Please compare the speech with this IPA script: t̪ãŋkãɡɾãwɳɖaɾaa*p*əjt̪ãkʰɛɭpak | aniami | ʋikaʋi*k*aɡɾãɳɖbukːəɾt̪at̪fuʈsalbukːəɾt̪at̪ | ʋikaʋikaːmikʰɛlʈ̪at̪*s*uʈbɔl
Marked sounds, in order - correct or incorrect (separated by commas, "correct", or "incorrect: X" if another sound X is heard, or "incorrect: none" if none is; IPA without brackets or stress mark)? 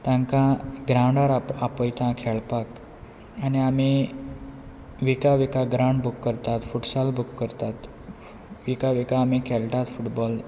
correct, correct, incorrect: f